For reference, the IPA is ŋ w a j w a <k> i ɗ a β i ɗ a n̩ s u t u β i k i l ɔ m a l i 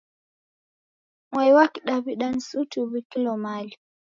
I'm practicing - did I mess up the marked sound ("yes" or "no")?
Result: no